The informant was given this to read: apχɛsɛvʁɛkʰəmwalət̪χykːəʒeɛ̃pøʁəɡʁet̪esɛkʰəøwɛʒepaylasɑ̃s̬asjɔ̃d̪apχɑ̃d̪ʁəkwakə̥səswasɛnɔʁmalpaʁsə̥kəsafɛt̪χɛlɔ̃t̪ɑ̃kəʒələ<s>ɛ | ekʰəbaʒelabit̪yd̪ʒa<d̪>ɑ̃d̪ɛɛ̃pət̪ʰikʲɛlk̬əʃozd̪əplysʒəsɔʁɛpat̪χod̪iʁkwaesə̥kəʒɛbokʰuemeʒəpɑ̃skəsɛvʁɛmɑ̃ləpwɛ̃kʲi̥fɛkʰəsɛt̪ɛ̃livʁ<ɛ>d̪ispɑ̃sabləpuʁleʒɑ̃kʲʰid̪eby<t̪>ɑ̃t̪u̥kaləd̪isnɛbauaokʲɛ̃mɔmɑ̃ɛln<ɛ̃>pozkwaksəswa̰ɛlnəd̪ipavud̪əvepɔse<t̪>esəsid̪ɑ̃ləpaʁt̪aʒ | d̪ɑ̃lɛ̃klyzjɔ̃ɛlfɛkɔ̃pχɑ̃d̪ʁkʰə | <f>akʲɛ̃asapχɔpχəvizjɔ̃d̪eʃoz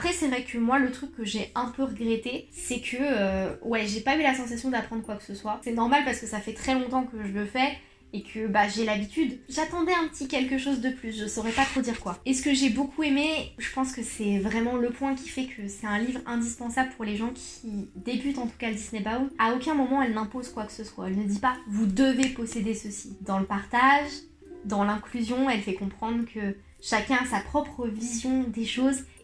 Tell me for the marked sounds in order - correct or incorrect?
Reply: incorrect, incorrect, incorrect, correct, correct, incorrect, incorrect

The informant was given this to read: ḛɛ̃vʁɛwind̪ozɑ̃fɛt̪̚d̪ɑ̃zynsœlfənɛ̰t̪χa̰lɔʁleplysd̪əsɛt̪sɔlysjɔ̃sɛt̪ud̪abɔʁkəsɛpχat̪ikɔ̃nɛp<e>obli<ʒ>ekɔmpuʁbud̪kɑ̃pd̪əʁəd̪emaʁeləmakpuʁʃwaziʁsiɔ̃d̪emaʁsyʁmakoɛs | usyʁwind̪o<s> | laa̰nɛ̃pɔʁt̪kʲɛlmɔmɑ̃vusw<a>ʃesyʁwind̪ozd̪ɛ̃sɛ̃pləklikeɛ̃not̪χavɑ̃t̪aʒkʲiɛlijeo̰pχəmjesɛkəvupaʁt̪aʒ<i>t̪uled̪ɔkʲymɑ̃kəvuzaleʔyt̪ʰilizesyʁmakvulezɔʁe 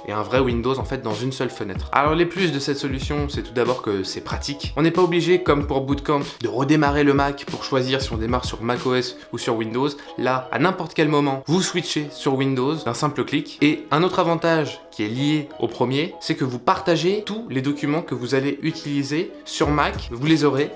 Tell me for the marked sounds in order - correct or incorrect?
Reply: incorrect, correct, incorrect, incorrect, incorrect

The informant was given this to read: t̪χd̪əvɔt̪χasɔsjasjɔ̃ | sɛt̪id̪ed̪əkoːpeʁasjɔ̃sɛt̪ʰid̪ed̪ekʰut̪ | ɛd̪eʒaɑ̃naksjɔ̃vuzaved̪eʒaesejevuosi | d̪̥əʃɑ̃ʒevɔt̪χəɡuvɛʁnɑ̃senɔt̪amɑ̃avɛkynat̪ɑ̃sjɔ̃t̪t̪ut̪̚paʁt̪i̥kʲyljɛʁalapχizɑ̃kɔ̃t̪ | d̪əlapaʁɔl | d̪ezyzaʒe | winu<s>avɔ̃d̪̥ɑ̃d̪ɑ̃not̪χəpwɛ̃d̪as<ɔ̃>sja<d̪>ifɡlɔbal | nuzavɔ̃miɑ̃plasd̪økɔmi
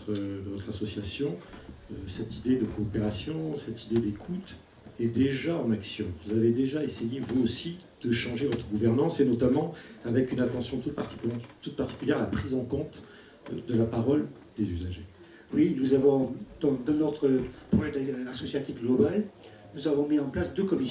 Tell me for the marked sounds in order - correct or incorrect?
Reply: incorrect, incorrect, incorrect

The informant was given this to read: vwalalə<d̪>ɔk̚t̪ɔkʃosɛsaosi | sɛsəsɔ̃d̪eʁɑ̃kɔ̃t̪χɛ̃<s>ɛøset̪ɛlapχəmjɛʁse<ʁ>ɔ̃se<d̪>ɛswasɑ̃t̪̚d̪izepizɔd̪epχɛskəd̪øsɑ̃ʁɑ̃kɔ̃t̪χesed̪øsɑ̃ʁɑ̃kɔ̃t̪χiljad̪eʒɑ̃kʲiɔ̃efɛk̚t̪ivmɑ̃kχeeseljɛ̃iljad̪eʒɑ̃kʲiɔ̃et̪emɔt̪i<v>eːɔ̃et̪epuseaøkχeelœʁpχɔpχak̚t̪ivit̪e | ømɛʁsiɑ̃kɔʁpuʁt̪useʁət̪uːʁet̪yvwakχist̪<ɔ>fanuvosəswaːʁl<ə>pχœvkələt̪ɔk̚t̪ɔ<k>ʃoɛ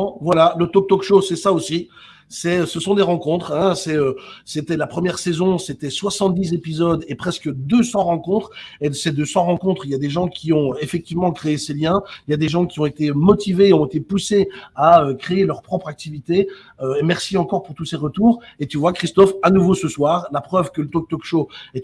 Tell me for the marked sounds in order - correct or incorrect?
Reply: incorrect, correct, incorrect, incorrect, correct, correct, incorrect, correct

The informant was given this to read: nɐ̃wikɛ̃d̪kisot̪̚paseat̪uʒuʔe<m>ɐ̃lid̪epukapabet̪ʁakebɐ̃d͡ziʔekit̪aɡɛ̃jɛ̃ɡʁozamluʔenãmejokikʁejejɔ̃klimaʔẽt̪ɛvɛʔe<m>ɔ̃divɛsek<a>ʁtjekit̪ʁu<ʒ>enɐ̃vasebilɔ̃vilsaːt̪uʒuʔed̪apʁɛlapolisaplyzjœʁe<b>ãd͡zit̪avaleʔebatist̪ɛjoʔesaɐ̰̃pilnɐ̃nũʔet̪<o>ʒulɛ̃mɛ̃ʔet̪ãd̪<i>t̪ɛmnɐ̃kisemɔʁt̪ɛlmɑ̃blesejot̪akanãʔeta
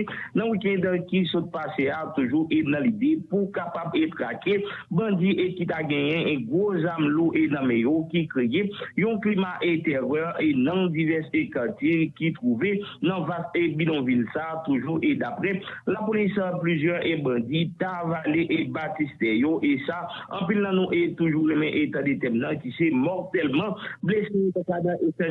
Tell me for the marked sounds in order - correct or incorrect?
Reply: incorrect, incorrect, correct, incorrect, correct, incorrect, incorrect

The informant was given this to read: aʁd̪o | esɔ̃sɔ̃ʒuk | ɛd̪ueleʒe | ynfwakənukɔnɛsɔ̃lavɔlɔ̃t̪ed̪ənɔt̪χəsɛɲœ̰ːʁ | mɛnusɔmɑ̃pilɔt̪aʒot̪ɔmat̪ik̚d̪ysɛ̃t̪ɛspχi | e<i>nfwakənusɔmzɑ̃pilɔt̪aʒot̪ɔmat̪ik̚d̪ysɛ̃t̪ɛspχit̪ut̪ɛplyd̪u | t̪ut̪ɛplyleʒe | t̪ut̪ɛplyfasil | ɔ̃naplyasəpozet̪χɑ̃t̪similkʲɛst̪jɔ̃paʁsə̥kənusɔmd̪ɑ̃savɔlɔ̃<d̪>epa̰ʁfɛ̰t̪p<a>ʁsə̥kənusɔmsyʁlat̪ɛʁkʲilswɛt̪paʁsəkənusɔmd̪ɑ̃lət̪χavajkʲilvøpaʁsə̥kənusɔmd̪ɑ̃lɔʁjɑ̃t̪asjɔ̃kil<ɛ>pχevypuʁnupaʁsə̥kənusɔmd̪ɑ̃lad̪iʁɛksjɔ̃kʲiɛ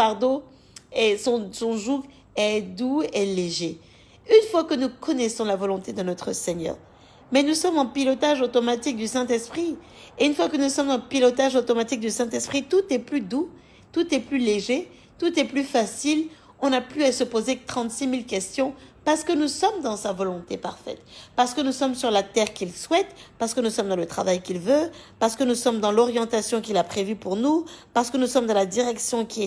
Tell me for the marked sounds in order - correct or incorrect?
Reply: incorrect, incorrect, correct, incorrect

